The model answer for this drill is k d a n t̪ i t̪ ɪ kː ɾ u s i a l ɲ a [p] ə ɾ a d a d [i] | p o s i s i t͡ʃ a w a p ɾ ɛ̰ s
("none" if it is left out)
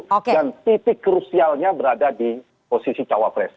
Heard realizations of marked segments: b, i

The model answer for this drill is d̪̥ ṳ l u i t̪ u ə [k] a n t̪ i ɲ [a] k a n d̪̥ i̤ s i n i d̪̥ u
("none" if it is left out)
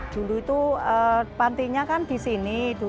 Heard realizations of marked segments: p, a

